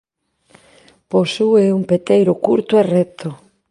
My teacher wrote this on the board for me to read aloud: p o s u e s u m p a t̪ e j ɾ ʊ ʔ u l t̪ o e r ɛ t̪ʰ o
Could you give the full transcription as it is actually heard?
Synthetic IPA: p o s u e u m p e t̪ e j ɾ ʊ k u ɾ t̪ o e r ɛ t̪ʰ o